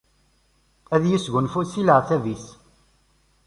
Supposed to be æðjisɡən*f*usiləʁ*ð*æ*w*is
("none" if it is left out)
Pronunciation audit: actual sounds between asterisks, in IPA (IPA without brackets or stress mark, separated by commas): f, θ, v